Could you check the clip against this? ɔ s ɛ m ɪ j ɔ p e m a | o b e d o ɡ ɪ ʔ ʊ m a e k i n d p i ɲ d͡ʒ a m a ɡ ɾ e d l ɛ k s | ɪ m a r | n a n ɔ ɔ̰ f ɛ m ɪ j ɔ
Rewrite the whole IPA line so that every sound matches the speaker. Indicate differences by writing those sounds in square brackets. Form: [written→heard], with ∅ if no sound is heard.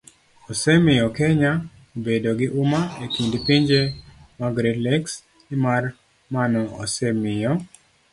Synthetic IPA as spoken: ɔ s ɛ m ɪ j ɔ [p→k] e [m→ɲ] a | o b e d o ɡ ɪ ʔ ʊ m a e k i n d p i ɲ d͡ʒ [a→e] m a ɡ ɾ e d l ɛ k s | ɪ m a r | [n→m] a n ɔ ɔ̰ [f→s] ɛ m ɪ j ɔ